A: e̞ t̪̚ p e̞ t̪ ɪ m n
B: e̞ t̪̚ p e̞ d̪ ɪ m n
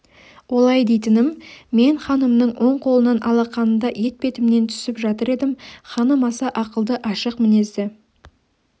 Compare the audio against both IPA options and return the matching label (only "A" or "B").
A